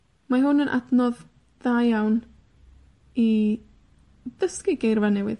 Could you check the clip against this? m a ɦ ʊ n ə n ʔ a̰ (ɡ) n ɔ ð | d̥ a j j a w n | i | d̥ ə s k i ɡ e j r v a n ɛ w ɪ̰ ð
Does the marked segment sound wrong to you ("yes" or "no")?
yes